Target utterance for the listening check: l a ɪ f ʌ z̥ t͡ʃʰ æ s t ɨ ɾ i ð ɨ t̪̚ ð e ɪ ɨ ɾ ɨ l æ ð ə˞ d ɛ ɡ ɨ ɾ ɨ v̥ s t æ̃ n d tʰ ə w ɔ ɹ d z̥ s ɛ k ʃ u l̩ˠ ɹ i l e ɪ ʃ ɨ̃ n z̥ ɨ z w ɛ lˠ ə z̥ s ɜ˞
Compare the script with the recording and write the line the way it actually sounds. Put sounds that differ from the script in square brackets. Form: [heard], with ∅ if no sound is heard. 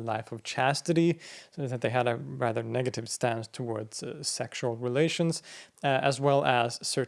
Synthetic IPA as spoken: l a ɪ f ʌ [v̥] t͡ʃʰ æ s t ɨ ɾ i ð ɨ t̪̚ ð e ɪ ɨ ɾ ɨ [ɹ] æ ð ə˞ [n] ɛ ɡ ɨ ɾ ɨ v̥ s t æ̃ n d tʰ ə w ɔ ɹ d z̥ s ɛ k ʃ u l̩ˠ ɹ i l e ɪ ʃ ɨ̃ n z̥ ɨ z w ɛ lˠ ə z̥ s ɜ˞

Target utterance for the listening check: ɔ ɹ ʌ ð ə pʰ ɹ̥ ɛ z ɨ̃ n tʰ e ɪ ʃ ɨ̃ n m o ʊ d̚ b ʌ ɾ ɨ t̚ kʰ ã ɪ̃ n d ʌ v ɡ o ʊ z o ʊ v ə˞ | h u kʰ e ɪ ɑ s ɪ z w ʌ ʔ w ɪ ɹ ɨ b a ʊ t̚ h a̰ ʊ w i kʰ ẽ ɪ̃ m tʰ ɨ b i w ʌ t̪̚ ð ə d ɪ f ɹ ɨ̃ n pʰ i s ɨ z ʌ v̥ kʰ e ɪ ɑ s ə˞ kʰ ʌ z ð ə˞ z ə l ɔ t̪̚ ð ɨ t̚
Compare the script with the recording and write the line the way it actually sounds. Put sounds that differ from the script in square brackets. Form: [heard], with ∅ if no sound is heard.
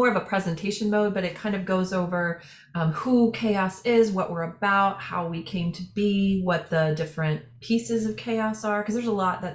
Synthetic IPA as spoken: ɔ ɹ ʌ [v] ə pʰ ɹ̥ ɛ z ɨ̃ n tʰ e ɪ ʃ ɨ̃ n m o ʊ d̚ b ʌ ɾ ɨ t̚ kʰ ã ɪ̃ n d ʌ v ɡ o ʊ z o ʊ v ə˞ | h u kʰ e ɪ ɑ s ɪ z w ʌ ʔ w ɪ ɹ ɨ b a ʊ t̚ h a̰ ʊ w i kʰ ẽ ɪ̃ m tʰ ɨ b i w ʌ t̪̚ ð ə d ɪ f ɹ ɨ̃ n pʰ i s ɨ z ʌ v̥ kʰ e ɪ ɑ s ə˞ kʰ ʌ z ð ə˞ z ə l ɔ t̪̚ ð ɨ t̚

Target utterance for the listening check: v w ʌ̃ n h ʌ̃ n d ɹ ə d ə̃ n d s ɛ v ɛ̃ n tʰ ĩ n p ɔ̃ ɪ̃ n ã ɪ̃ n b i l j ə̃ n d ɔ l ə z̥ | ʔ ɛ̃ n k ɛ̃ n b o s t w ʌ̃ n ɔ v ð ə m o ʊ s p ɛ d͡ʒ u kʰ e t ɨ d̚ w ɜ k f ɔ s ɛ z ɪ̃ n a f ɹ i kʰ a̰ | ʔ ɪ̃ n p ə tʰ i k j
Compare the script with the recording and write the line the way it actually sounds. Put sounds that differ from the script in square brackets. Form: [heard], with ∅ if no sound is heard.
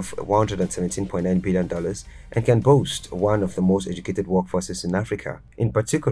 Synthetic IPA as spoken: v w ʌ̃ n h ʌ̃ n d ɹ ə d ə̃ n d s ɛ v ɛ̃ n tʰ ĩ n p ɔ̃ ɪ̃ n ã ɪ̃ n b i l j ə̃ n d ɔ l ə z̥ | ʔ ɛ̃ n k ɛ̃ n b o s t w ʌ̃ n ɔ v ð ə m o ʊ s [t] ɛ d͡ʒ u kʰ e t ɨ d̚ w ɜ k f ɔ s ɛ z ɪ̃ n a f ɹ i kʰ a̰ | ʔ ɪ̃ n p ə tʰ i k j

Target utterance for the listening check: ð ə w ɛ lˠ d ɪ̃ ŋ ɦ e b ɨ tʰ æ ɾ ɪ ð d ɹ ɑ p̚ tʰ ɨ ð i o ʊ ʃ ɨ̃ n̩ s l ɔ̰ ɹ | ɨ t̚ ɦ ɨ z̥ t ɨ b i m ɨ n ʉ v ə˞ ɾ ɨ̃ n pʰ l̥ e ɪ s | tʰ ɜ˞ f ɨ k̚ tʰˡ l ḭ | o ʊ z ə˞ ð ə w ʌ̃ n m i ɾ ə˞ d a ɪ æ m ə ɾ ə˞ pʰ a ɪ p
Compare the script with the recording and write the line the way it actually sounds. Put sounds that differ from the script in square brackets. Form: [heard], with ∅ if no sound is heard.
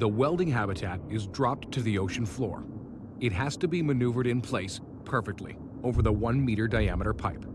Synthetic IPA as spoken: ð ə w ɛ lˠ d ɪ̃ ŋ ɦ [æ] b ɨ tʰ æ ɾ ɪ [z] d ɹ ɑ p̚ tʰ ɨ ð i o ʊ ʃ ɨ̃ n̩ [f] l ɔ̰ ɹ | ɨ t̚ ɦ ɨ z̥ t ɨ b i m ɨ n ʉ v ə˞ ɾ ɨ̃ n pʰ l̥ e ɪ s | [pʰ] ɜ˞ f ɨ k̚ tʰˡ l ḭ | o ʊ [v] ə˞ ð ə w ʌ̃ n m i ɾ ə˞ d a ɪ æ m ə ɾ ə˞ pʰ a ɪ p

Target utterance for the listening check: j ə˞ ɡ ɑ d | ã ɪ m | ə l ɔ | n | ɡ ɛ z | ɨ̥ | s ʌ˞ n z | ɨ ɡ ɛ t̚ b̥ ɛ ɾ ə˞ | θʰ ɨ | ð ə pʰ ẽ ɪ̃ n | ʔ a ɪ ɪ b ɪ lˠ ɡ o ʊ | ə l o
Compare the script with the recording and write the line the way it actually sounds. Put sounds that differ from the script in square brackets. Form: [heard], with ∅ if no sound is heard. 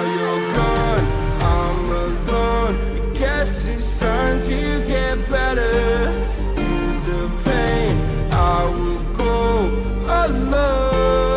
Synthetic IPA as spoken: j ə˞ ɡ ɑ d | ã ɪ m | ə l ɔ | n | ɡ ɛ [s] | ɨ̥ | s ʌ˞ n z | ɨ ɡ ɛ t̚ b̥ ɛ ɾ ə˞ | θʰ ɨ | ð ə pʰ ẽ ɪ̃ n | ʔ a ɪ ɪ [w] ɪ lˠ ɡ o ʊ | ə l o

